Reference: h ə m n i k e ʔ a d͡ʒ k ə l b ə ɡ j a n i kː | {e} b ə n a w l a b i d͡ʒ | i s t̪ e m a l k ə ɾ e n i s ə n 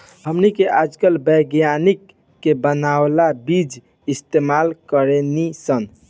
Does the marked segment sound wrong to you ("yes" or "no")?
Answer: no